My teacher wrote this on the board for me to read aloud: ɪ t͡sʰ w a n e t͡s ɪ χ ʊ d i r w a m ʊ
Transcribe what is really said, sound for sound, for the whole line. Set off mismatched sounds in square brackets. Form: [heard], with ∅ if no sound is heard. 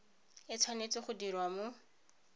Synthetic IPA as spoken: ɪ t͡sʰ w a n e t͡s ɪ χ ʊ d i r w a m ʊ